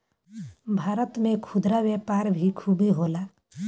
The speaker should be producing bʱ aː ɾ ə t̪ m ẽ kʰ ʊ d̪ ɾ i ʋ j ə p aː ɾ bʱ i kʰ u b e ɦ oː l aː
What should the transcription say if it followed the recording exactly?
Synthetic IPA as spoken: bʱ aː ɾ ə t̪ m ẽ kʰ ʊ d̪ ɾ a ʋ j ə p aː ɾ bʱ i kʰ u b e ɦ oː l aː